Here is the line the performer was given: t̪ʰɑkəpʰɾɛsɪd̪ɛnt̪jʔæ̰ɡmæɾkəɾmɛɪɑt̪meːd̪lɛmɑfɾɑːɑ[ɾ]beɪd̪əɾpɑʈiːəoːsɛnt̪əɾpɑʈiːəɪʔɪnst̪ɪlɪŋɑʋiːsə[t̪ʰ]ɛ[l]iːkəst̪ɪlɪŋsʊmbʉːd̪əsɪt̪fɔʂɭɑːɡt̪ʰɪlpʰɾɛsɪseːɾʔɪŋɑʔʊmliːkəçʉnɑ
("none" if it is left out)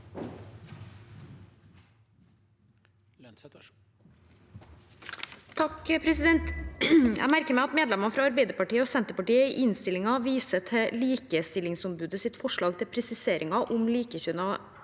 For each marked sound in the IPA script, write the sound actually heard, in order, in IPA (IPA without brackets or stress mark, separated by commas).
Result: ɾ, t̪ʰ, l